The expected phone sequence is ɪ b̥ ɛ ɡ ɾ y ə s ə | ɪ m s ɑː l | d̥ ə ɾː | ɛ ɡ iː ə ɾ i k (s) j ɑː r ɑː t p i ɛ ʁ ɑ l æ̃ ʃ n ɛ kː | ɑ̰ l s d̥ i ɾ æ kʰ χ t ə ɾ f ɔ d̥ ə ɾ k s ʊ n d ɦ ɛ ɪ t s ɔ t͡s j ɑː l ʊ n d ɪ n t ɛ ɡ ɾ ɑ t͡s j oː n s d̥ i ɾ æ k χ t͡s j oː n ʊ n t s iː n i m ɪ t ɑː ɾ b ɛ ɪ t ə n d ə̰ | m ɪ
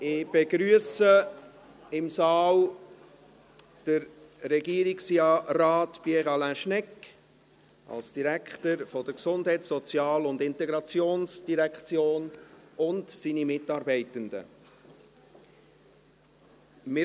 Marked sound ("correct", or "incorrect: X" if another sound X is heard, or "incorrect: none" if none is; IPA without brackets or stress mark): correct